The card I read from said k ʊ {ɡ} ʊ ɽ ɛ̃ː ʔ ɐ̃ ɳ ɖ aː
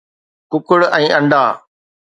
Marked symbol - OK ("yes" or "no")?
no